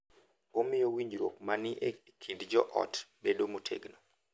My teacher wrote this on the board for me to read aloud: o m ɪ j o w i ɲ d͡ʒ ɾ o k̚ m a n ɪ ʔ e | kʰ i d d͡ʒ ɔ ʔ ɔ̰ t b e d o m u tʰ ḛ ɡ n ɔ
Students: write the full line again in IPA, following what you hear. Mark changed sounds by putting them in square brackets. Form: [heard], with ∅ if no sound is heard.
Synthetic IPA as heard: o m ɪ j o w i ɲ d͡ʒ ɾ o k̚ m a n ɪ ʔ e | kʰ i d d͡ʒ ɔ ʔ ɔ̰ t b e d o m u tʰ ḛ ɡ n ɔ